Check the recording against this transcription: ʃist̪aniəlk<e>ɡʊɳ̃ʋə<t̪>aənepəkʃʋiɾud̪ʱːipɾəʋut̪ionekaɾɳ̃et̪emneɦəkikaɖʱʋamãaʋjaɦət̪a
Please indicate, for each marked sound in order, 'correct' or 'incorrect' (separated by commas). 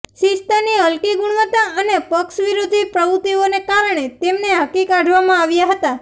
incorrect, correct